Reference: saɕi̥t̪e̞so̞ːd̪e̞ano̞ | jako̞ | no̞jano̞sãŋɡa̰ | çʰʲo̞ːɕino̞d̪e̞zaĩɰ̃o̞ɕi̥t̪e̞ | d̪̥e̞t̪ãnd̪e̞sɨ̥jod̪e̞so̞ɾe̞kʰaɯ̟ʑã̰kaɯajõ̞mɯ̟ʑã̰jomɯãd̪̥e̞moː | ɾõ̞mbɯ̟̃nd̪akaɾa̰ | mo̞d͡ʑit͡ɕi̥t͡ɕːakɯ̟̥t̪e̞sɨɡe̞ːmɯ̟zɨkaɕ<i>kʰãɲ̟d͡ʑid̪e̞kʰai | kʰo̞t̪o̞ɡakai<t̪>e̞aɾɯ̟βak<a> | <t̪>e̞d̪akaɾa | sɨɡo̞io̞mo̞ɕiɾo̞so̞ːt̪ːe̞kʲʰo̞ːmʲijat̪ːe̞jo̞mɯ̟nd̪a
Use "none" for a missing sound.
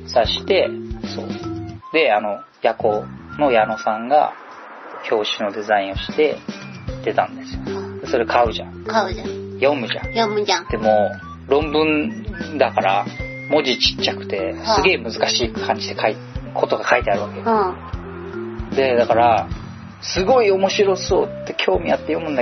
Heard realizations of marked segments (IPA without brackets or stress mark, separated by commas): iː, t̪, e, d̪